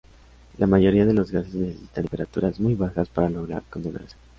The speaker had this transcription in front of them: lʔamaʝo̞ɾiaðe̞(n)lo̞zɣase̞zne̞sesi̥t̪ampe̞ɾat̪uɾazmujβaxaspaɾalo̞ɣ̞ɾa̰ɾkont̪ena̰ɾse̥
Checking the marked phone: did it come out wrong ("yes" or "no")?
yes